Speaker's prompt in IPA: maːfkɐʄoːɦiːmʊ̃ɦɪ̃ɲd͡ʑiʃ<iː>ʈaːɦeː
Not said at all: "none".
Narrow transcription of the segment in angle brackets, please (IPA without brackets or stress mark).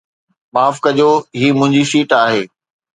iː